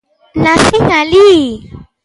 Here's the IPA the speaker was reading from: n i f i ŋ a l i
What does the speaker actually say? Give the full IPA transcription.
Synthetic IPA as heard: n a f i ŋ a l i